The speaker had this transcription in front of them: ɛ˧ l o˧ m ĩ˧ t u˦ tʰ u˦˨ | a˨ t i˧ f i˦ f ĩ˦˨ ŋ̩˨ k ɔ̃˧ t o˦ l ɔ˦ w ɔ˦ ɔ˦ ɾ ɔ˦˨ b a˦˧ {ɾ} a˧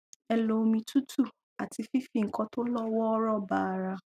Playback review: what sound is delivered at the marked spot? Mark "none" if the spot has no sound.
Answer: ɾ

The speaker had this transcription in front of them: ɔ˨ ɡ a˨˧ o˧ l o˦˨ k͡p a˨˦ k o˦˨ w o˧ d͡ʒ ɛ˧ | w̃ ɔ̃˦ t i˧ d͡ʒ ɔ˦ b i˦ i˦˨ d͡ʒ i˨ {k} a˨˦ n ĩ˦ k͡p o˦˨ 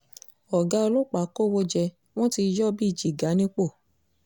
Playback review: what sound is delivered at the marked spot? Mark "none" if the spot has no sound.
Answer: ɡ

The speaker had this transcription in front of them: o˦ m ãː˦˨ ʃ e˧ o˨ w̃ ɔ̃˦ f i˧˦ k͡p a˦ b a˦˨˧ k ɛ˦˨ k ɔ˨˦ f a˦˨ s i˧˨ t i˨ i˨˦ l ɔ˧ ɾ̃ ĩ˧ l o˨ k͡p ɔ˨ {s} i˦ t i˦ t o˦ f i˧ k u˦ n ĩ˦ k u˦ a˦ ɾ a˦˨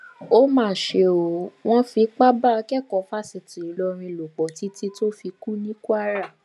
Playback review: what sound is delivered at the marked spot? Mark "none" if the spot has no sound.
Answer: t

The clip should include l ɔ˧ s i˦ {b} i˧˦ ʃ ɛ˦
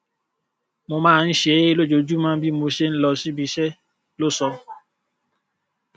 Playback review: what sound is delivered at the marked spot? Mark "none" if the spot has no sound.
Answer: b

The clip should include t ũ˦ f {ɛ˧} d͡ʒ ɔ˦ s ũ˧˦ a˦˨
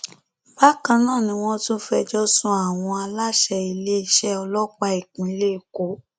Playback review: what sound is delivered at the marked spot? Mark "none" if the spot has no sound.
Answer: ɛ˧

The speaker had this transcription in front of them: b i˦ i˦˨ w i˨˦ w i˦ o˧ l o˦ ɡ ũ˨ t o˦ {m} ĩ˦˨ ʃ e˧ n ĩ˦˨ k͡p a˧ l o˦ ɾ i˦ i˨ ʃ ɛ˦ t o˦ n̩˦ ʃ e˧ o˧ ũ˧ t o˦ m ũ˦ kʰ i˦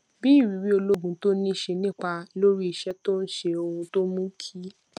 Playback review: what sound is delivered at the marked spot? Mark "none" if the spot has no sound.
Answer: n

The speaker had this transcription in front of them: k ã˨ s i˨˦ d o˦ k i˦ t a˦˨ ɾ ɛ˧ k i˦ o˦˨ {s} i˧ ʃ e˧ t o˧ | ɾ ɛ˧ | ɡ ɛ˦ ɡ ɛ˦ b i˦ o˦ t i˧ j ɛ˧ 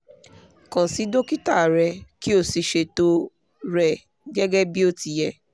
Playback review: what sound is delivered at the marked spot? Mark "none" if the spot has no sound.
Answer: s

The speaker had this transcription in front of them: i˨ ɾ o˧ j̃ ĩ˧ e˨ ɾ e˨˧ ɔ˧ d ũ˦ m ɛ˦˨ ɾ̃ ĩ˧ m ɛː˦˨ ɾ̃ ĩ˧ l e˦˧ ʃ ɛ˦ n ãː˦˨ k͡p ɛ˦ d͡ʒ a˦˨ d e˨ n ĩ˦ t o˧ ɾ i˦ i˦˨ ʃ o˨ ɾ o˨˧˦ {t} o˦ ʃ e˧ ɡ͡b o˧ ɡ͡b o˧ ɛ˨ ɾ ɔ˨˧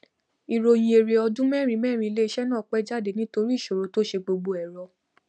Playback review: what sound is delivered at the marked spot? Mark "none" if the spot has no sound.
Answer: t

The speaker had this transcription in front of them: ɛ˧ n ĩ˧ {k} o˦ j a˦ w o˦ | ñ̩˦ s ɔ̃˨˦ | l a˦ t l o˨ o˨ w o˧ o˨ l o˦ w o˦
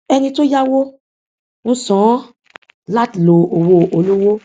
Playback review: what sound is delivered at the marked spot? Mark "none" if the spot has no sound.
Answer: t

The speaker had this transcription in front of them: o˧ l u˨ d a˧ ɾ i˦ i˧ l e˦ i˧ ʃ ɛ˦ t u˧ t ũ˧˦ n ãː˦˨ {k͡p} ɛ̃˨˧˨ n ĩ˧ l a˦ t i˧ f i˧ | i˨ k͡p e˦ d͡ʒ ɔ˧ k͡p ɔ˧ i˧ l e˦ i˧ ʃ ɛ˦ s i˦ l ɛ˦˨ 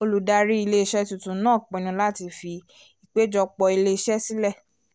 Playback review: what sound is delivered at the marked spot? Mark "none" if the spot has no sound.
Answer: k͡p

